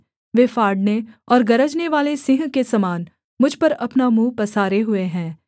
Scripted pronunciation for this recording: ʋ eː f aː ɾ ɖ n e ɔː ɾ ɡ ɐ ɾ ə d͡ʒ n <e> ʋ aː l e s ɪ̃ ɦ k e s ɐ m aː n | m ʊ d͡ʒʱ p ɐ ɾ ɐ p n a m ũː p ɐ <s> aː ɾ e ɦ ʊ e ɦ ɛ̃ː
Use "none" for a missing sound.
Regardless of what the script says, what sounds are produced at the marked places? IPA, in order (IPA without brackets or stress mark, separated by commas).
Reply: e, s